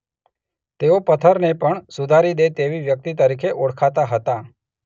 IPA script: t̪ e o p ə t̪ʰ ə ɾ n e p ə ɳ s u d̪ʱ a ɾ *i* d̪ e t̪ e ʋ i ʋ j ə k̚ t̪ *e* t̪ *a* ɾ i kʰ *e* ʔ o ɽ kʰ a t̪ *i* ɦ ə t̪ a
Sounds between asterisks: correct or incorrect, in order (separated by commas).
correct, incorrect, incorrect, correct, incorrect